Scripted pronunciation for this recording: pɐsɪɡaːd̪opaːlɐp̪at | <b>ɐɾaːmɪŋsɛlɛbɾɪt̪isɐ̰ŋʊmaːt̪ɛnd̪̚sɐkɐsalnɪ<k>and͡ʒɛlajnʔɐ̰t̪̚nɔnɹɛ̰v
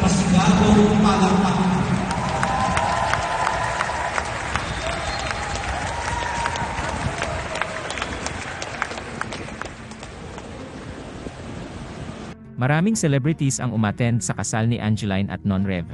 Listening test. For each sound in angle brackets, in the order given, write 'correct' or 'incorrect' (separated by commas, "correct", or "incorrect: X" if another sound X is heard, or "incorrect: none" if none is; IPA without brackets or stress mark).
incorrect: m, incorrect: ʔ